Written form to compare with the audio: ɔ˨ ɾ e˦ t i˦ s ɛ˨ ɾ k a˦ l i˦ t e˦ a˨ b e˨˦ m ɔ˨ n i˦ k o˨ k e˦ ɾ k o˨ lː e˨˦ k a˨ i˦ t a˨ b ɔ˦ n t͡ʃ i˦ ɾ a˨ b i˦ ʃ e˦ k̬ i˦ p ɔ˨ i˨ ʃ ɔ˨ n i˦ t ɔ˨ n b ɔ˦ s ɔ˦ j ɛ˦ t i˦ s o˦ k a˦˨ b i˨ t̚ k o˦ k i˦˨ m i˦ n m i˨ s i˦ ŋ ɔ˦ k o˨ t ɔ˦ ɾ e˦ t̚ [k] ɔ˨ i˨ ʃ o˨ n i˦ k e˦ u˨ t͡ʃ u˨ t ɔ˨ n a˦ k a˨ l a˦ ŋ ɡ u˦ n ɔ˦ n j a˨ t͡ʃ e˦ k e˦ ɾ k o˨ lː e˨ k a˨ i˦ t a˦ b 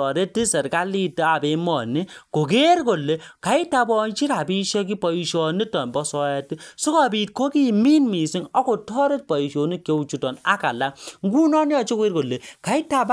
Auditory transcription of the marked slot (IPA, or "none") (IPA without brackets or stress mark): p